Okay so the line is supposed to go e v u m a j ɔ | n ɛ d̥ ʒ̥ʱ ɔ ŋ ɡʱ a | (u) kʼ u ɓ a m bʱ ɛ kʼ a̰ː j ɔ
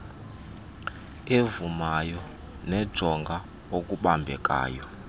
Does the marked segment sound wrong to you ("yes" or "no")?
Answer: yes